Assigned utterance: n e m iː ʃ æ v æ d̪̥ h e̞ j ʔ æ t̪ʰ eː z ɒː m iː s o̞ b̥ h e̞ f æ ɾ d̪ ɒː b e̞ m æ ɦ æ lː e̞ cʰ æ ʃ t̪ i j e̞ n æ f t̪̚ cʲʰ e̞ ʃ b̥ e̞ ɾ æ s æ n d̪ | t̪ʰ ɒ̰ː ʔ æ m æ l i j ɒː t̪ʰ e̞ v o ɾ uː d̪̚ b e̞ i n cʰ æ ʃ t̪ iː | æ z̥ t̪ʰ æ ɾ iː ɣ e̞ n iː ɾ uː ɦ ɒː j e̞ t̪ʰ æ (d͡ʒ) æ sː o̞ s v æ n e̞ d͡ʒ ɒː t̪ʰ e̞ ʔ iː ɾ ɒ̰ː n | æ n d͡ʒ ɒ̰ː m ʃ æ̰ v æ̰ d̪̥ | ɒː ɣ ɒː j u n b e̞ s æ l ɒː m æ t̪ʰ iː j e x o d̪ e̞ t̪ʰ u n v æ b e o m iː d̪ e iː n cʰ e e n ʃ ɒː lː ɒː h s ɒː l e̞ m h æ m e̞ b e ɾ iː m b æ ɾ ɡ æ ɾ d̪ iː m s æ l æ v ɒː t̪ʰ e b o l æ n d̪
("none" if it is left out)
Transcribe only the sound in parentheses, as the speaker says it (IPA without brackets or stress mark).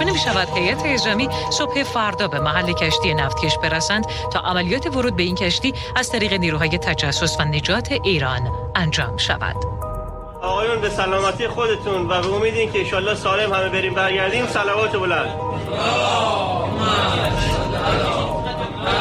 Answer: d͡ʒ